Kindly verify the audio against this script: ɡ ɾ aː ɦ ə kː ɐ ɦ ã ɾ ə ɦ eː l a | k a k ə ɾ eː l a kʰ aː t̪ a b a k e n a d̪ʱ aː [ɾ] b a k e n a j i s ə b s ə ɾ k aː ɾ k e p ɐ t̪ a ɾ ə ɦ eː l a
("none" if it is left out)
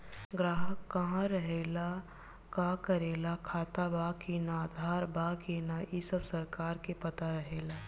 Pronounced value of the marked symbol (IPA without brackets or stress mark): ɾ